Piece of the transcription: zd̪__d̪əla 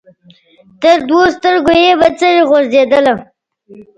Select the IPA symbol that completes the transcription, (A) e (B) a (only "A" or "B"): A